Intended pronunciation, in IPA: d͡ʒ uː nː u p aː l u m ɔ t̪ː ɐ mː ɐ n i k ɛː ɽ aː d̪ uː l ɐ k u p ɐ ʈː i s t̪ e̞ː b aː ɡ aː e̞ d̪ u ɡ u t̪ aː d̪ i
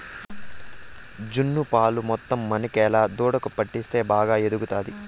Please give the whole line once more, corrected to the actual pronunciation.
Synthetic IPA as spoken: d͡ʒ u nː u p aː l u m ɔ t̪ː ɐ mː ɐ n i k ɛː l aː d̪ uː ɽ ɐ k u p ɐ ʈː i s t̪ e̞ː b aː ɡ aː e̞ d̪ u ɡ u t̪ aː d̪ i